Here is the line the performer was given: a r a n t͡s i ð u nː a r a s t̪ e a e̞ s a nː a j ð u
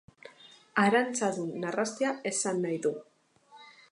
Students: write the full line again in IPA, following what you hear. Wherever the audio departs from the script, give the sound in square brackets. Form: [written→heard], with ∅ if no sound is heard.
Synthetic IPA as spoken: a [r→ɾ] a n t͡s [i→a] ð u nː a r a s t̪ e a e̞ s a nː a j ð u